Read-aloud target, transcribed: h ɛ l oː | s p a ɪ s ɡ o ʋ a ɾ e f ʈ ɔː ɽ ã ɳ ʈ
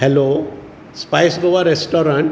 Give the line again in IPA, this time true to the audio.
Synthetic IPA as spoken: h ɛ l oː | s p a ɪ s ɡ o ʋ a ɾ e s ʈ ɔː ɾ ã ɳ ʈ